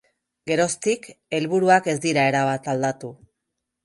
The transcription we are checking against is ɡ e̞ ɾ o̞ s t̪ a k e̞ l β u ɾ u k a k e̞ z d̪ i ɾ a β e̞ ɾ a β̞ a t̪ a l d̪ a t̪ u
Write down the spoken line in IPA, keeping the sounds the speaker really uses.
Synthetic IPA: ɡ e̞ ɾ o̞ s t̪ i k e̞ l β u ɾ u a k e̞ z d̪ i ɾ a e̞ ɾ a β̞ a t̪ a l d̪ a t̪ u